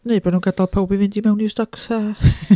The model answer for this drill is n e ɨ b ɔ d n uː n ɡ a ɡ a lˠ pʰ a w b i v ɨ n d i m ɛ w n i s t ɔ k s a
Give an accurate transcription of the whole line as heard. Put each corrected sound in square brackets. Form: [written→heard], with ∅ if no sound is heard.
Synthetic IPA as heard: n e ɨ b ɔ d n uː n ɡ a [ɡ→d] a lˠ pʰ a w b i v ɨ n d i m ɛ w n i s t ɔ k s a